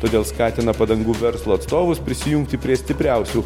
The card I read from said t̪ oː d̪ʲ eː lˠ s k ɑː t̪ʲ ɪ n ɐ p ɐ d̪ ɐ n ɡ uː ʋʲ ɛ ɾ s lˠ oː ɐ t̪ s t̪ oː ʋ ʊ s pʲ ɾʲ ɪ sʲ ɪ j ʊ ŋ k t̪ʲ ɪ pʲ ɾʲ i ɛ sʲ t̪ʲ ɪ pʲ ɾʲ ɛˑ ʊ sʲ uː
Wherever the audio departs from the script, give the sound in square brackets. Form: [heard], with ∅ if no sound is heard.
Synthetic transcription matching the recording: t̪ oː d̪ʲ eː lˠ s k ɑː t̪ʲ ɪ n ɐ p ɐ d̪ ɐ [ŋ] ɡ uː ʋʲ ɛ ɾ s lˠ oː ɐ t̪ s t̪ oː ʋ ʊ s pʲ ɾʲ ɪ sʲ ɪ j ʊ ŋ k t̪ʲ ɪ pʲ ɾʲ i ɛ sʲ t̪ʲ ɪ pʲ ɾʲ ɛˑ ʊ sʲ uː